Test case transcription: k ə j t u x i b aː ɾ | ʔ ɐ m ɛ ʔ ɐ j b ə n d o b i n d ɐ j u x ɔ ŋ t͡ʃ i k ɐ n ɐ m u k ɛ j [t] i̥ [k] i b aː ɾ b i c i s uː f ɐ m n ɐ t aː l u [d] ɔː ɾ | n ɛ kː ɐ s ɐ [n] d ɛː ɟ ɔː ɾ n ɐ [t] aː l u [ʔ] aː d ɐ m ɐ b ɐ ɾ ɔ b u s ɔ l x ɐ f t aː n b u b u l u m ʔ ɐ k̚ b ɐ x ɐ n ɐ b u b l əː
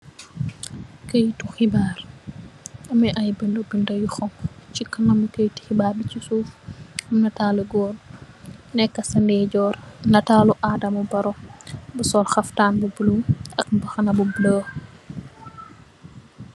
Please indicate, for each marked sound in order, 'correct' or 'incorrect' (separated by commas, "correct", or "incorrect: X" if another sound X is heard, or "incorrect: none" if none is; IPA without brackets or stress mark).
correct, incorrect: x, incorrect: ɡ, correct, correct, correct